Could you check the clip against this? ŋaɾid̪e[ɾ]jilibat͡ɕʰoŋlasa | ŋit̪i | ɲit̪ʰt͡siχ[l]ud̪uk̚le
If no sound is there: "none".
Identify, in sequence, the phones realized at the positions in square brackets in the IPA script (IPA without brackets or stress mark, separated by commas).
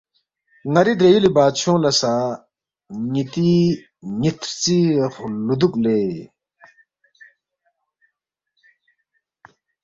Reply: none, l